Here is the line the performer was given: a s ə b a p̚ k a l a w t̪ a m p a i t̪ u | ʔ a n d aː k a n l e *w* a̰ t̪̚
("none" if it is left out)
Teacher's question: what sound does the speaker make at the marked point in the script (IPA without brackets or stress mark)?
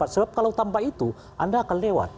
w